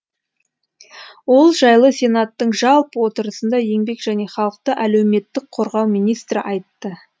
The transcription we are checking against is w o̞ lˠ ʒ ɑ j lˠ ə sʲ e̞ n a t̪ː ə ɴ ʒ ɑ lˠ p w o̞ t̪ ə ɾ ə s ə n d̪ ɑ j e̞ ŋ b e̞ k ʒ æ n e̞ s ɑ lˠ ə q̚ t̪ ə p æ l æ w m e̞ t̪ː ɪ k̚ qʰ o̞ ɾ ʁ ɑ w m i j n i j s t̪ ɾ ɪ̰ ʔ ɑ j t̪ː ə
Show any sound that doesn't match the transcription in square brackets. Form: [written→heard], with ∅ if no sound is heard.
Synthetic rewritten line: w o̞ lˠ ʒ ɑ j lˠ ə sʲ e̞ n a t̪ː ə ɴ ʒ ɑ lˠ p w o̞ t̪ ə ɾ ə s ə n d̪ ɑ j e̞ ŋ b e̞ k ʒ æ n e̞ [s→χ] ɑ lˠ ə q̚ t̪ ə [p→ʔ] æ l [æ→e] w m e̞ t̪ː ɪ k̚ qʰ o̞ ɾ ʁ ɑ w m i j n i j s t̪ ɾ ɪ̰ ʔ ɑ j t̪ː ə